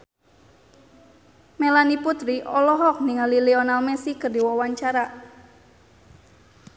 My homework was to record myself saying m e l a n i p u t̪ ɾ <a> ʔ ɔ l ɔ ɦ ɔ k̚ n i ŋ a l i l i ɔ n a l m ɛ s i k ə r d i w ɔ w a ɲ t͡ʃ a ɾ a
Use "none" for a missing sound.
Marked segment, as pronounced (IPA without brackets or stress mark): i